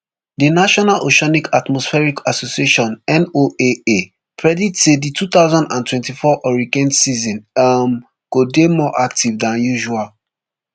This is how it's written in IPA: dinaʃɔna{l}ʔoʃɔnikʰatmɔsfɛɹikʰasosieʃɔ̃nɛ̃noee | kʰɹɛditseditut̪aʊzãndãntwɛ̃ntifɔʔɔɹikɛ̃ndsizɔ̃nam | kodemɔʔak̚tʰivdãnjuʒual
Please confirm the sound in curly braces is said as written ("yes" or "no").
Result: yes